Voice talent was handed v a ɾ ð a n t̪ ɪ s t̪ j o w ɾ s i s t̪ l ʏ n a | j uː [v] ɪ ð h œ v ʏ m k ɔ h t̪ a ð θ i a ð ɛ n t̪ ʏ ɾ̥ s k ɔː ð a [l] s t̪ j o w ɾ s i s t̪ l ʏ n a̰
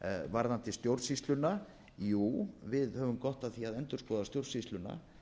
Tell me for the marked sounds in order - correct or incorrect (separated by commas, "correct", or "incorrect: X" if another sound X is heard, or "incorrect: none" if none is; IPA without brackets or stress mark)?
correct, incorrect: none